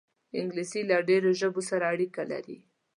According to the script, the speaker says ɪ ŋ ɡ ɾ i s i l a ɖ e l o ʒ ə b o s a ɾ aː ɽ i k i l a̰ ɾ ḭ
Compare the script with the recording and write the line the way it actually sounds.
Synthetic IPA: ɪ ŋ ɡ l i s i l a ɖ e ɾ o ʒ ə b o s a ɾ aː ɽ i k a l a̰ ɾ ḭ